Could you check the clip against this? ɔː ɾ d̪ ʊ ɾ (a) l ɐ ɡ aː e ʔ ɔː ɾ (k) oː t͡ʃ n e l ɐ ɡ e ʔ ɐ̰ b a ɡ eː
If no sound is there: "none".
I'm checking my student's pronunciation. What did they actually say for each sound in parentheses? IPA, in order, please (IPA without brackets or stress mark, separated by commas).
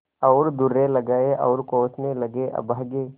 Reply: e, k